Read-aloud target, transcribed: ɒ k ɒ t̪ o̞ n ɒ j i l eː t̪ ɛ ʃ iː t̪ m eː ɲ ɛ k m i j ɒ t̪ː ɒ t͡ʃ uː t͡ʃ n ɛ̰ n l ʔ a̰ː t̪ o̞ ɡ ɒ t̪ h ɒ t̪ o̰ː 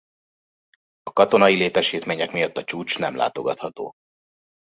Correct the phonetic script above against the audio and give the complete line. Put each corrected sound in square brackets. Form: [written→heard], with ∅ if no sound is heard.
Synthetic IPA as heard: ɒ k ɒ t̪ o̞ n ɒ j i l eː t̪ ɛ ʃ iː t̪ m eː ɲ ɛ k m i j ɒ t̪ː ɒ t͡ʃ uː t͡ʃ n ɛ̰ [n→m] l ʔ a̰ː t̪ o̞ ɡ ɒ t̪ h ɒ t̪ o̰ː